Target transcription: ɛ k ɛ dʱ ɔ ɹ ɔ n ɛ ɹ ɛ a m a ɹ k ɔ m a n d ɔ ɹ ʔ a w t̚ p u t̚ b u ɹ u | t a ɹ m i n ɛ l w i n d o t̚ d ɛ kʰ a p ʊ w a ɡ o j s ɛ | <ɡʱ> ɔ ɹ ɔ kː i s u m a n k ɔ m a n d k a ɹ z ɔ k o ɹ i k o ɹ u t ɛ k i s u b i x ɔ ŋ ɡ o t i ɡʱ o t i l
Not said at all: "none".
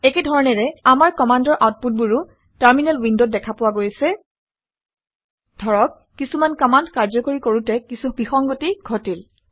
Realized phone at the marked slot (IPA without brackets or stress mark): dʱ